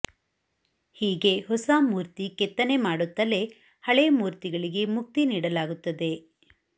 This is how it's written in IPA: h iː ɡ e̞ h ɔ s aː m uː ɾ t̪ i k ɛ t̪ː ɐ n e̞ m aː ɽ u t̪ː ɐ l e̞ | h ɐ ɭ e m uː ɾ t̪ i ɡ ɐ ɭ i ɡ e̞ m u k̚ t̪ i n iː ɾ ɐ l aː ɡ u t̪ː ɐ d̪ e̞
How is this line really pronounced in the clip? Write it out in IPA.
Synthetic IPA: h iː ɡ e̞ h ɔ s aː m uː ɾ t̪ i k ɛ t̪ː ɐ n e̞ m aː ɽ u t̪ː ɐ l e̞ | h ɐ ɭ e m uː ɾ t̪ i ɡ ɐ ɭ i ɡ e̞ m u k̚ t̪ i n iː ɽ ɐ l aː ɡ u t̪ː ɐ d̪ e̞